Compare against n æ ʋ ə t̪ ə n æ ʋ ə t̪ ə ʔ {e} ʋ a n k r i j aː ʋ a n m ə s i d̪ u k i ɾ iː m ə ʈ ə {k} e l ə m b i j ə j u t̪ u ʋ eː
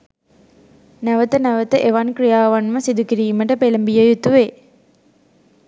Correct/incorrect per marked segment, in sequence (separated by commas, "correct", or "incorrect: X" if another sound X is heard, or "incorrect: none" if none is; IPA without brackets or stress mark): correct, incorrect: p